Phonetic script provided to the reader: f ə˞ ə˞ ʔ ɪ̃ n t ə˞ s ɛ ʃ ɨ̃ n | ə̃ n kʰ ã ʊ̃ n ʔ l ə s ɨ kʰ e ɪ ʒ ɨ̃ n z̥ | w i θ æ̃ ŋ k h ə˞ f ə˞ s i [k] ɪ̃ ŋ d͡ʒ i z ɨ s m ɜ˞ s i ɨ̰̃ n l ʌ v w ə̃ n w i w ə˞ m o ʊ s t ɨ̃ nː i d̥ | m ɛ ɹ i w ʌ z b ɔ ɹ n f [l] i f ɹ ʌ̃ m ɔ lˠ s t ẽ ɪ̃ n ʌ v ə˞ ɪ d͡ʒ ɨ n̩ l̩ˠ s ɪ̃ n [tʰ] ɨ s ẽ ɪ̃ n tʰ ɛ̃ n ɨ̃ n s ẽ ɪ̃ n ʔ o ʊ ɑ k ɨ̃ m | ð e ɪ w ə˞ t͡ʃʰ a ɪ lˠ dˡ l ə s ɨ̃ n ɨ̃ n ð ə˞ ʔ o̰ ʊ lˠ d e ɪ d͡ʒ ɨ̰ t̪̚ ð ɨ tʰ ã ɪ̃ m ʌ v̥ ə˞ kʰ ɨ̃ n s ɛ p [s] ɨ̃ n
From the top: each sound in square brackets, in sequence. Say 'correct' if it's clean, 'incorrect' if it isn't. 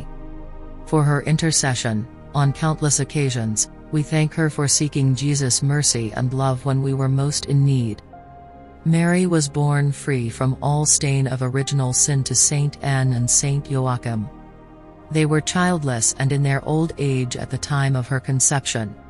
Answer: correct, incorrect: ɹ, correct, incorrect: ʃ

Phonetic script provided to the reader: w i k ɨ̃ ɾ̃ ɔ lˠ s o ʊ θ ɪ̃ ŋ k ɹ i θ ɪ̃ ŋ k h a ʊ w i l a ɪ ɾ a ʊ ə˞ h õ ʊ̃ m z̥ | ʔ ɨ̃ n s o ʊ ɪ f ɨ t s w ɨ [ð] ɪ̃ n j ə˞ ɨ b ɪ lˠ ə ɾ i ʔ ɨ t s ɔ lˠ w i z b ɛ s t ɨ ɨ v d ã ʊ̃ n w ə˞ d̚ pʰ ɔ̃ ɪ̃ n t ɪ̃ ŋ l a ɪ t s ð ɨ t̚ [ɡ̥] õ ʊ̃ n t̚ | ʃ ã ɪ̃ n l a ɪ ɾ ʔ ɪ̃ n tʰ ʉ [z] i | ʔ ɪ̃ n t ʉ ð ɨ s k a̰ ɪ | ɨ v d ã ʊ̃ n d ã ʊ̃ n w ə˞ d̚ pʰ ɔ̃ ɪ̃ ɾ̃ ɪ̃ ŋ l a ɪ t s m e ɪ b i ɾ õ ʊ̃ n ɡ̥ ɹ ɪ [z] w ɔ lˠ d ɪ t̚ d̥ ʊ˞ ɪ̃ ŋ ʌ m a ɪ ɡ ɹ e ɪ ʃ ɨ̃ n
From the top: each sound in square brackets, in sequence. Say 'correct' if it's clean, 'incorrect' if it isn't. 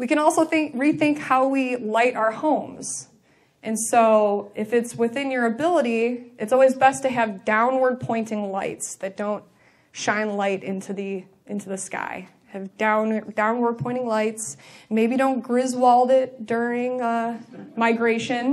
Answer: incorrect: θ, incorrect: d̥, incorrect: ð, correct

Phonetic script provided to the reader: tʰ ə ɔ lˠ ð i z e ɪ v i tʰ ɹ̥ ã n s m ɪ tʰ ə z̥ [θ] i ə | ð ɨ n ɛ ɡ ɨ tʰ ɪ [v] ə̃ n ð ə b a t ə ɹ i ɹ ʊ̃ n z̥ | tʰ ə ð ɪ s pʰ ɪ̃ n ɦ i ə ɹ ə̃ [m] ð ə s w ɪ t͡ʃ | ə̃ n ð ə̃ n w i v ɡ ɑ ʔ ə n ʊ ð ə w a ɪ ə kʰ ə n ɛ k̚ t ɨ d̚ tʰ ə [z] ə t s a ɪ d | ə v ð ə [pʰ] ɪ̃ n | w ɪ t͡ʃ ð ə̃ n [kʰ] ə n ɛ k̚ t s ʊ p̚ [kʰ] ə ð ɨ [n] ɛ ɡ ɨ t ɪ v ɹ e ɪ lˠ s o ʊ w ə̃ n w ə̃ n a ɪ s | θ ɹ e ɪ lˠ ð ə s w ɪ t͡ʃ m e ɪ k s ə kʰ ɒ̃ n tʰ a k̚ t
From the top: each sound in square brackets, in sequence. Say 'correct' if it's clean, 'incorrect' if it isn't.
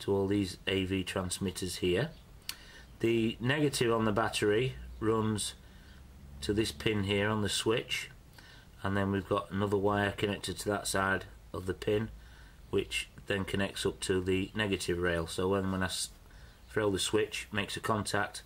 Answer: incorrect: h, correct, incorrect: n, incorrect: ð, correct, correct, incorrect: tʰ, correct

